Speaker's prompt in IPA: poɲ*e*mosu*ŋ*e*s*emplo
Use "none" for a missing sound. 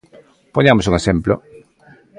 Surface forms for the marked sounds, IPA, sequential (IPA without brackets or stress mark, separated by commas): a, ŋ, s